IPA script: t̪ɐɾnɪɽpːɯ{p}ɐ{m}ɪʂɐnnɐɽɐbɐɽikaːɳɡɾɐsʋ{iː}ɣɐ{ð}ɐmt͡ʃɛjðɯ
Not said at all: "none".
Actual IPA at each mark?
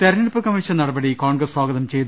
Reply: k, m, aː, ð

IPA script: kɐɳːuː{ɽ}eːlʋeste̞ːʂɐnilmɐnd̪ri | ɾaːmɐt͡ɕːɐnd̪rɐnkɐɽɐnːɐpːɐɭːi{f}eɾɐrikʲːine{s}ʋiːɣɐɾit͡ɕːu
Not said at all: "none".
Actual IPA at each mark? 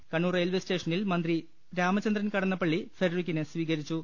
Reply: r, f, s

